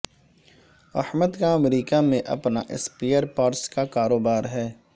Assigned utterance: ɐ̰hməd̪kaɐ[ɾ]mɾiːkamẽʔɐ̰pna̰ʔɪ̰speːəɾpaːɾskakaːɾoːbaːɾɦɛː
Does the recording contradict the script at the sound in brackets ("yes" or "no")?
yes